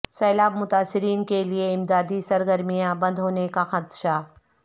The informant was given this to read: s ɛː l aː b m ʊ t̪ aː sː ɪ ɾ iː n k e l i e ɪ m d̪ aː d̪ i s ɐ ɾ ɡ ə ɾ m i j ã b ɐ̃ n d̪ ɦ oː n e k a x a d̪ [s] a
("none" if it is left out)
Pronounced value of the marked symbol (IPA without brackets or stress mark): ʃ